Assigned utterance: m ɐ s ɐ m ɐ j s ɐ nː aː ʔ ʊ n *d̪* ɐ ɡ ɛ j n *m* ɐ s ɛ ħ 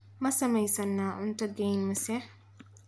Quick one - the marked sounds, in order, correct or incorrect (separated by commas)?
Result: incorrect, correct